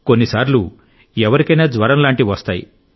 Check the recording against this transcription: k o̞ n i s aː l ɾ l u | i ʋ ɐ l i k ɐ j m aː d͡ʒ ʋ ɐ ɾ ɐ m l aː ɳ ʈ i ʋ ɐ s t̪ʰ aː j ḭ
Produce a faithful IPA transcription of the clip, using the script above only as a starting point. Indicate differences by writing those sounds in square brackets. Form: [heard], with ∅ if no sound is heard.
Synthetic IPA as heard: k o̞ [nː] i s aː [∅] ɾ l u | [ɛ] ʋ ɐ [ɾ] i k ɐ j [n] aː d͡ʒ ʋ ɐ ɾ ɐ m l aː ɳ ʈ i ʋ ɐ s [t̪] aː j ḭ